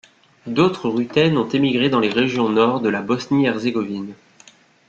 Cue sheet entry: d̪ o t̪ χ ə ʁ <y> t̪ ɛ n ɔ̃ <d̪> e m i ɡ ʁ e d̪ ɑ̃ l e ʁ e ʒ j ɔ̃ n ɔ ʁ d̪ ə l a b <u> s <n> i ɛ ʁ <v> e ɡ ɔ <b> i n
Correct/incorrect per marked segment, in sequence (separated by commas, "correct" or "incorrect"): correct, incorrect, incorrect, correct, incorrect, incorrect